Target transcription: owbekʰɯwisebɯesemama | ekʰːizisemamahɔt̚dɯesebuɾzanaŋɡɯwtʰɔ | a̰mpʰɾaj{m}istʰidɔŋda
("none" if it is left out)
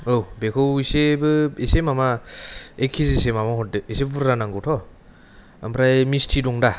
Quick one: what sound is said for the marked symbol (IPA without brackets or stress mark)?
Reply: m